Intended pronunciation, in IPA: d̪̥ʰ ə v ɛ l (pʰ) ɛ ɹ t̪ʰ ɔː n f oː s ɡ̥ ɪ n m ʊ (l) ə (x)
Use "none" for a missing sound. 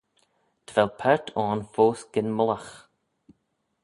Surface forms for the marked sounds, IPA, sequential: pʰ, l, x

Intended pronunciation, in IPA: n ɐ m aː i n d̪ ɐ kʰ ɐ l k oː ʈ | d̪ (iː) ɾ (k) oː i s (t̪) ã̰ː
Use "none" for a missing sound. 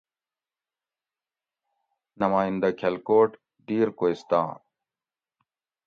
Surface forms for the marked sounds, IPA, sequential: iː, k, t̪

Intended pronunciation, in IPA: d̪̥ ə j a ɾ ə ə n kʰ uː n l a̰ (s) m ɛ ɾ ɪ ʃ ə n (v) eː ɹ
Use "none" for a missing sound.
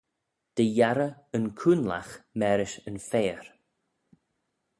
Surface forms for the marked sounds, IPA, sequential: x, f

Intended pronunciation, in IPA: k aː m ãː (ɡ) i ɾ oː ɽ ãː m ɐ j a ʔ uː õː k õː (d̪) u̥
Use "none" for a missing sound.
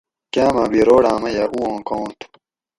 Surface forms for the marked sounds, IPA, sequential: b, t̪

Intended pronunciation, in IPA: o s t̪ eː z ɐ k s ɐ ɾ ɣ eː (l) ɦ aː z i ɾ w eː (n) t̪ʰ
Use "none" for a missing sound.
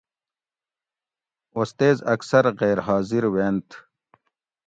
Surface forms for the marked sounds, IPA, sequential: ɾ, n

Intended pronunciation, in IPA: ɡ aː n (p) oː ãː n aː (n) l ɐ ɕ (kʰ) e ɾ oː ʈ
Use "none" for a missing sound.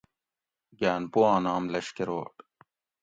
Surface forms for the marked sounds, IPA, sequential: p, m, k

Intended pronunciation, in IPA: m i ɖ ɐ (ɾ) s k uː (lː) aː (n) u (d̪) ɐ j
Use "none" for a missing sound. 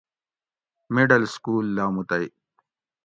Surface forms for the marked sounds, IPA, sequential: l, lː, m, t̪

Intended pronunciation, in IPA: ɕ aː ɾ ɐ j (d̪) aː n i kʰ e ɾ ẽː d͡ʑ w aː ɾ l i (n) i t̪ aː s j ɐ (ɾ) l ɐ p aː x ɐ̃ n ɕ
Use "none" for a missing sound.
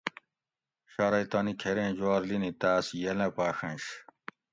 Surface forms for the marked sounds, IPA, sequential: t̪, n, none

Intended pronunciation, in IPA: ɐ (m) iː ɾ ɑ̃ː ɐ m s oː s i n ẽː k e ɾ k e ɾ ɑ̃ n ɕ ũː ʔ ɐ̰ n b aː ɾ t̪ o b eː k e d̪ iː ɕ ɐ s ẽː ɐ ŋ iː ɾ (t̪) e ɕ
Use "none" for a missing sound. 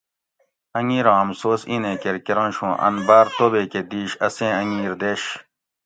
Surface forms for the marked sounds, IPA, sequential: ŋ, d̪

